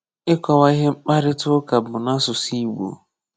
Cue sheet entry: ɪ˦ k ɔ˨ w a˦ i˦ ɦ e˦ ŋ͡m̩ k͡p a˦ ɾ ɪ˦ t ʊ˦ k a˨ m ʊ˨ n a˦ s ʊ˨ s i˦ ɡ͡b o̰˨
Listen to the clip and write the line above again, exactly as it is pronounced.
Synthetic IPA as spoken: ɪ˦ k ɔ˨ w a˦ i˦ ɦ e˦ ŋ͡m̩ k͡p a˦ ɾ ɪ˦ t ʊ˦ k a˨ b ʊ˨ n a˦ s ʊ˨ s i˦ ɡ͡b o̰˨